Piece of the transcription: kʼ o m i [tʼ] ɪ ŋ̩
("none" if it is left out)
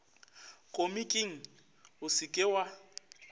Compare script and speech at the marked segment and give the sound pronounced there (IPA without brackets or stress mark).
kʼ